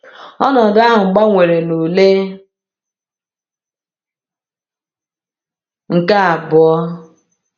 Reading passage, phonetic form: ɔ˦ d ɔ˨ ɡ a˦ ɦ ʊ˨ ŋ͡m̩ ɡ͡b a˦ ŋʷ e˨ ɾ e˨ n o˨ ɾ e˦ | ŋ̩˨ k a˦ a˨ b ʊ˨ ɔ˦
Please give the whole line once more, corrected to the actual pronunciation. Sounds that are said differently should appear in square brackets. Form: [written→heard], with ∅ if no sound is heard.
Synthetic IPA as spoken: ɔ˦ [d→n] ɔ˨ [ɡ→d] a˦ ɦ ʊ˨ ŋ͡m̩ ɡ͡b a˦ ŋʷ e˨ ɾ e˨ n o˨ [ɾ→l] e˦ | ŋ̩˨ k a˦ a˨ b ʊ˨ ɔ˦

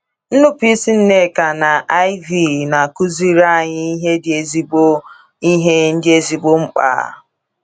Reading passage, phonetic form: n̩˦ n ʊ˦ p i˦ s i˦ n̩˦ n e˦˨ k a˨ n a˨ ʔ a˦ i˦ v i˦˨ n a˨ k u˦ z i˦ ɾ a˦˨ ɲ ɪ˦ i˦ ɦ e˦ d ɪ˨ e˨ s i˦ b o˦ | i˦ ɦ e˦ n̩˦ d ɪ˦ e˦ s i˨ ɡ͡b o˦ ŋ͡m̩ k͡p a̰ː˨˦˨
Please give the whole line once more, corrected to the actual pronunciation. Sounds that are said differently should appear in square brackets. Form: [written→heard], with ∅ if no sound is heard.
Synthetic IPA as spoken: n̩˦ n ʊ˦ p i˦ s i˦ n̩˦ n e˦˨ k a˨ n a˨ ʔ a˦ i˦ v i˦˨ n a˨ k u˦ z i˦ ɾ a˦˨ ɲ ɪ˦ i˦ ɦ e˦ d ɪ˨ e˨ [s→z] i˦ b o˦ | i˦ ɦ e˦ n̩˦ d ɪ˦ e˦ [s→z] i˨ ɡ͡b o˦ ŋ͡m̩ k͡p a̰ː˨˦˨

